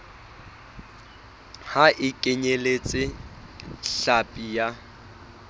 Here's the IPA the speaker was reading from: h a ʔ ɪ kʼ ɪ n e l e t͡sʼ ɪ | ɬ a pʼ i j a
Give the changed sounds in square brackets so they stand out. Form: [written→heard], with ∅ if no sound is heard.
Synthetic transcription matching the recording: h a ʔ ɪ kʼ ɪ [n→ɲ] e l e t͡sʼ ɪ | ɬ a pʼ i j a

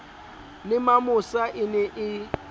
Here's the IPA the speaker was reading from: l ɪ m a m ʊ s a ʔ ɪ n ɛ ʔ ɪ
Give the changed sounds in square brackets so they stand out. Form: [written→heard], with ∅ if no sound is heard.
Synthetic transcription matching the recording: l ɪ m a m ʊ s a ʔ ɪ n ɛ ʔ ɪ

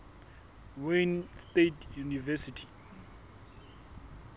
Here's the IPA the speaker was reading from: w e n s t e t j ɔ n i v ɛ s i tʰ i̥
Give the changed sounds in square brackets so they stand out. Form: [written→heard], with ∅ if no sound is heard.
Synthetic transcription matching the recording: w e n s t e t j [ɔ→u] n i v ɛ s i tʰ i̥

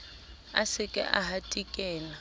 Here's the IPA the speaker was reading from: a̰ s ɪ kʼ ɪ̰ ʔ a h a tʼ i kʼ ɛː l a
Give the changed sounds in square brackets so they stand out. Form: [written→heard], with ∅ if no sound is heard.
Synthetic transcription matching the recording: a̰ s ɪ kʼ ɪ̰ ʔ a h a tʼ i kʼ ɛː l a

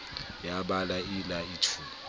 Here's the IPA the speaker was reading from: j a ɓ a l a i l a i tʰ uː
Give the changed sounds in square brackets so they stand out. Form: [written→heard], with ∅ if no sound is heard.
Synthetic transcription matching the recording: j a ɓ a l a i l a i tʰ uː

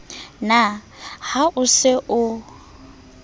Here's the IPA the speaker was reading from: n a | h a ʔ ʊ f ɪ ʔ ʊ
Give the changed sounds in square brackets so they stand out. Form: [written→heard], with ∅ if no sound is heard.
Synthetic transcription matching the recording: n a | h a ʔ ʊ [f→s] ɪ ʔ ʊ

